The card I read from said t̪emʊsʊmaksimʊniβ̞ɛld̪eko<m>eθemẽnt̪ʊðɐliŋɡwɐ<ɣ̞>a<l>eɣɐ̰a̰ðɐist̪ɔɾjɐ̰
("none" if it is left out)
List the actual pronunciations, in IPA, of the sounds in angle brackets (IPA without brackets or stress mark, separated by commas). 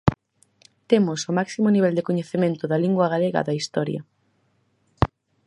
ɲ, ɣ̞, l